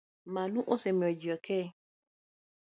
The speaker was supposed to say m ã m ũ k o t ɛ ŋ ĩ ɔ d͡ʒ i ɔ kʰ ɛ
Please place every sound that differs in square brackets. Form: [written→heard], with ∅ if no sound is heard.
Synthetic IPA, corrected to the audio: m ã [m→n] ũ [k→ʔ] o [t→s] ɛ [ŋ→m] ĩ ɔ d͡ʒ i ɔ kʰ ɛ